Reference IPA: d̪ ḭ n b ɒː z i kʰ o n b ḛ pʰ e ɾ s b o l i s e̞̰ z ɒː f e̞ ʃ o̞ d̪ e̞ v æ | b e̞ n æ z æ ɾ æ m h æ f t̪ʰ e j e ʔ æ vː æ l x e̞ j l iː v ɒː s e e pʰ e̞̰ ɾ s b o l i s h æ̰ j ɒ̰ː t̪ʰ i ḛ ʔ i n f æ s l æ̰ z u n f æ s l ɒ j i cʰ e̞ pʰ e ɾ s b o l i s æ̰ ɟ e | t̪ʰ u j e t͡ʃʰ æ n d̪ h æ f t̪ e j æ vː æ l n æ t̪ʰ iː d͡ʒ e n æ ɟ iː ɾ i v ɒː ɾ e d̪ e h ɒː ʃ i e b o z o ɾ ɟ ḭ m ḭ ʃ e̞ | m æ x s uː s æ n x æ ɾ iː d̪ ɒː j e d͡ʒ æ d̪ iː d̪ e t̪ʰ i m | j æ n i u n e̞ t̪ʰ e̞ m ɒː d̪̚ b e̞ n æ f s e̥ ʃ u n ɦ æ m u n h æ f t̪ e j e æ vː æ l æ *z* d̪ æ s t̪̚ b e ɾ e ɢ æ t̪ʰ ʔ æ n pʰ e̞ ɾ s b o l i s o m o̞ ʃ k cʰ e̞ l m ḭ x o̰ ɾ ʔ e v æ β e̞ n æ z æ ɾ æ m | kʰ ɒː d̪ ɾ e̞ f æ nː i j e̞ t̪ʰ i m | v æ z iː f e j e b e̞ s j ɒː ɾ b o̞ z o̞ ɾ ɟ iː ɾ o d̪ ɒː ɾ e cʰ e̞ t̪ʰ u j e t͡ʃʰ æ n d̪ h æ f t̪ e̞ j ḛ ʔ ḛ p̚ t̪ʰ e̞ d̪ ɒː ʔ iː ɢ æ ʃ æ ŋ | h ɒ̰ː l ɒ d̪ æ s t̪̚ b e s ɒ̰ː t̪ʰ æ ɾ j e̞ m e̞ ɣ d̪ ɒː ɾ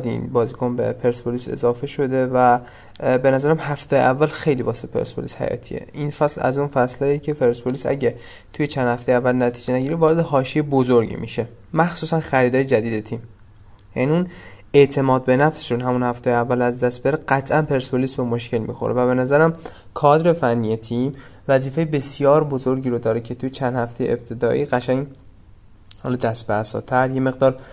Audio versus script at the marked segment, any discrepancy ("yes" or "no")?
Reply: no